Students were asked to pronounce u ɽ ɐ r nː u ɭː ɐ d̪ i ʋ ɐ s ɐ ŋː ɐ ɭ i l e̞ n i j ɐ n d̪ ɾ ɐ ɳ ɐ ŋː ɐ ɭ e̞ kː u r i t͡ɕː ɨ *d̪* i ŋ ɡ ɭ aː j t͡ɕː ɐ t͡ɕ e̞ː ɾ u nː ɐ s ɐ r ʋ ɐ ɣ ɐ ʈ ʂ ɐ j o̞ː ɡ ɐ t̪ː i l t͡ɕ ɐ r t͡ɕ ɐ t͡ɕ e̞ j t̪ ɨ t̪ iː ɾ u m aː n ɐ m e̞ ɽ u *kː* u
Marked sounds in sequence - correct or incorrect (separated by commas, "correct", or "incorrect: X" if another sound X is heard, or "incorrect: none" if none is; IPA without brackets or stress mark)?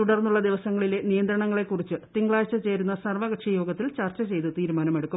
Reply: incorrect: t̪, correct